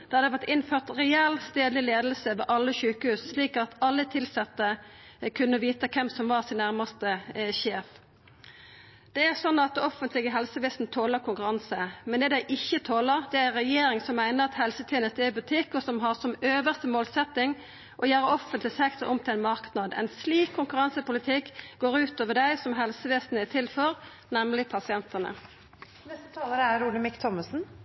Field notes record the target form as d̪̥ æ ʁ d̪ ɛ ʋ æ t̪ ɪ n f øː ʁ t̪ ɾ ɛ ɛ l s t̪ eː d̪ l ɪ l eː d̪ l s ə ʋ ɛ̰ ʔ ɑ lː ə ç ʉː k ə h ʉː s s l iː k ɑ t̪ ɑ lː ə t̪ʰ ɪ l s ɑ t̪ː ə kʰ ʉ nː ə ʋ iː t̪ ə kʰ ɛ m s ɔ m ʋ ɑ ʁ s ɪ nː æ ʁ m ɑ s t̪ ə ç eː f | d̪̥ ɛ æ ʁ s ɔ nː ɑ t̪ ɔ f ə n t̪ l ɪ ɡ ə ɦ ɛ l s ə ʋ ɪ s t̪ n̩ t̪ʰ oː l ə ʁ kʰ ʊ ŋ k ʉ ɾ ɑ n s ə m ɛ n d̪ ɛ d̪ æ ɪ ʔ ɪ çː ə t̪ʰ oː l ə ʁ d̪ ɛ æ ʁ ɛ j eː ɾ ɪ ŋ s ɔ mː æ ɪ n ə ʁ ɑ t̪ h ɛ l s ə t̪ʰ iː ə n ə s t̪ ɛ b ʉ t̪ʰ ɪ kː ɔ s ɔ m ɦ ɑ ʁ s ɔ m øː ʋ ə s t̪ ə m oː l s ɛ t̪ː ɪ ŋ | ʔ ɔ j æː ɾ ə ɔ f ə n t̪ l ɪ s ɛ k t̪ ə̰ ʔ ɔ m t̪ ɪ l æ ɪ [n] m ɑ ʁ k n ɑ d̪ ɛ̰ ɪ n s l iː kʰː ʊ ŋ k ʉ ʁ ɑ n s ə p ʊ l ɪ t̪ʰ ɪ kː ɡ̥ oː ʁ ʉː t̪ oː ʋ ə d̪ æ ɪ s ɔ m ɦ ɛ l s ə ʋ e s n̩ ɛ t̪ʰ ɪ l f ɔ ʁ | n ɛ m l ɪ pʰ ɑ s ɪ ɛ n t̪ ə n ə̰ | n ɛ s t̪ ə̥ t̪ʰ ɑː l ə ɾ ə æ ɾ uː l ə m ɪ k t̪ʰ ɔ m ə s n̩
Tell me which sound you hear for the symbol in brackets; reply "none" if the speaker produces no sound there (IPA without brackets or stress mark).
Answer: n